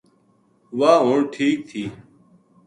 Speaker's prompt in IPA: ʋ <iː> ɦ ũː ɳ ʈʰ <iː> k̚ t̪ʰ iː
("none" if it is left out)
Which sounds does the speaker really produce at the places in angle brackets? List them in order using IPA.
aː, iː

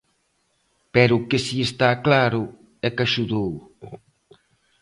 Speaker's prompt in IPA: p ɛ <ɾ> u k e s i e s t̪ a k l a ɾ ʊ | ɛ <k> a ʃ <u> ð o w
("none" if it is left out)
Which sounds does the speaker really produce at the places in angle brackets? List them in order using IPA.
ɾ, k, u

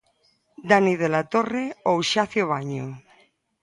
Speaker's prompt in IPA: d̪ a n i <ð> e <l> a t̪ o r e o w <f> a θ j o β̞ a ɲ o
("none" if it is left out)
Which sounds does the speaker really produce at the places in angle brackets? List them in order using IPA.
ð, l, ʃ

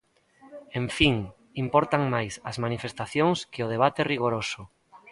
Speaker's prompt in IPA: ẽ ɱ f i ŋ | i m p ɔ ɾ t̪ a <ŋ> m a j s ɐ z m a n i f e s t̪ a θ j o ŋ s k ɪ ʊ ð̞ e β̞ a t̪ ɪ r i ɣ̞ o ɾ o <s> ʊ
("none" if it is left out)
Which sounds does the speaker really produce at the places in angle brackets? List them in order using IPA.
ŋ, s

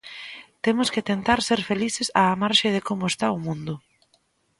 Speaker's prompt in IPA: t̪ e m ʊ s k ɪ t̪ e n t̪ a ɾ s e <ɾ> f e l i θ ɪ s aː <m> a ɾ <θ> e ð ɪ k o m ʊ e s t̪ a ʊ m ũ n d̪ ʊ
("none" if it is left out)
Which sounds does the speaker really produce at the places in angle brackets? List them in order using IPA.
ɾ, m, ʃ

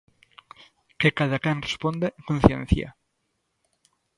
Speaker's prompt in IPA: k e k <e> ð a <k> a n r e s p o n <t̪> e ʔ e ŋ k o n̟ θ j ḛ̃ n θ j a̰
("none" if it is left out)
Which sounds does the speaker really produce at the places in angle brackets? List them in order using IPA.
a, k, d̪

